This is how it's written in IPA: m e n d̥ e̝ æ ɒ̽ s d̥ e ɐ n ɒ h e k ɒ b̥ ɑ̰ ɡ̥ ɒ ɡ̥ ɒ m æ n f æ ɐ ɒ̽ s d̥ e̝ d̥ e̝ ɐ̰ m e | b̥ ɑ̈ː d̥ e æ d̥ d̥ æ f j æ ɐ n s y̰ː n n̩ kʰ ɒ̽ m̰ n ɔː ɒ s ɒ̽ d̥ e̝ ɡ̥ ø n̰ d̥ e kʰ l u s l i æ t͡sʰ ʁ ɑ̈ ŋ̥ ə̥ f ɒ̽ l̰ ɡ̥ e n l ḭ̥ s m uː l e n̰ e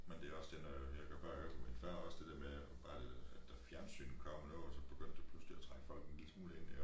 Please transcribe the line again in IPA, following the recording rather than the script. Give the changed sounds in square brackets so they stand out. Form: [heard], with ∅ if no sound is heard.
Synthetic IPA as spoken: m e n d̥ e̝ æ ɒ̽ s d̥ e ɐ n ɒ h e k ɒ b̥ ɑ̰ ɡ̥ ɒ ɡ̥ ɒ m [i] n f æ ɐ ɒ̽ s d̥ e̝ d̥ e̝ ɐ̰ m e | b̥ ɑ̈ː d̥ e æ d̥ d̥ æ f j æ ɐ n s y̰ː n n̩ kʰ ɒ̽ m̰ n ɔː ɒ s ɒ̽ [b̥] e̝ ɡ̥ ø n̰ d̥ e [pʰ] l u s l i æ t͡sʰ ʁ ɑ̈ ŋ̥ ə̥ f ɒ̽ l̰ ɡ̥ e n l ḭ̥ s m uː l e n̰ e